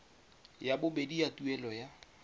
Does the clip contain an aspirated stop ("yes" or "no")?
no